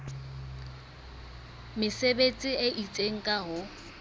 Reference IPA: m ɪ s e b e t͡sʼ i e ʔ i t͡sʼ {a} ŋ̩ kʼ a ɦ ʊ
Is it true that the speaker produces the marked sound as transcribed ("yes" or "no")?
no